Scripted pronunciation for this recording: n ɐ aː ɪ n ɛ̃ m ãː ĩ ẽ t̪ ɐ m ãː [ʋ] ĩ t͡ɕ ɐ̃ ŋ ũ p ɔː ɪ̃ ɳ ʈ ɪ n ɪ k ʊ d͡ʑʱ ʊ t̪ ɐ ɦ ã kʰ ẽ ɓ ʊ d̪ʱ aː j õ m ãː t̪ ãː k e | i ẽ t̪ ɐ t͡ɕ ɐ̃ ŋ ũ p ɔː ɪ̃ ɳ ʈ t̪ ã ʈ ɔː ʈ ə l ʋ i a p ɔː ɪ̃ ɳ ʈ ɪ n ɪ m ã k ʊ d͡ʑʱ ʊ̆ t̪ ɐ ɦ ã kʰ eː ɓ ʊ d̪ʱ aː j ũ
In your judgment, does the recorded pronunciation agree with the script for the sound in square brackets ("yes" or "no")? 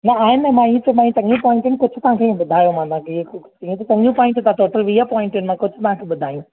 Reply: no